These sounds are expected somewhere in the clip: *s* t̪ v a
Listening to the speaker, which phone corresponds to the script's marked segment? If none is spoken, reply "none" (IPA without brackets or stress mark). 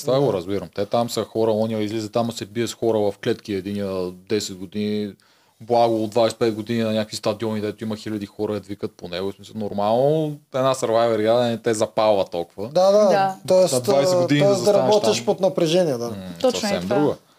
s